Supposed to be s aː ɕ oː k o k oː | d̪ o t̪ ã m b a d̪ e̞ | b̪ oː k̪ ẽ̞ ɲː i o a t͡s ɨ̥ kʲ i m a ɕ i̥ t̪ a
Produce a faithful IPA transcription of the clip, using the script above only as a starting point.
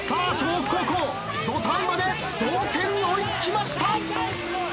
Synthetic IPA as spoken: s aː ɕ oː k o k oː | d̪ o t̪ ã m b a d̪ e̞ | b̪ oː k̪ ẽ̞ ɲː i o i t͡s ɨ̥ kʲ i m a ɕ i̥ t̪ a